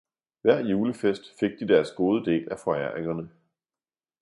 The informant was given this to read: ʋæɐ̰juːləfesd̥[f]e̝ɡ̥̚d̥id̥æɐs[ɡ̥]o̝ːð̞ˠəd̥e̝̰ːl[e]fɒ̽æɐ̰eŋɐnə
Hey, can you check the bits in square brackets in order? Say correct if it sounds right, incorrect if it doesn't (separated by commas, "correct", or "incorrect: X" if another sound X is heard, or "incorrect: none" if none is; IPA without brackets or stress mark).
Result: correct, correct, incorrect: æ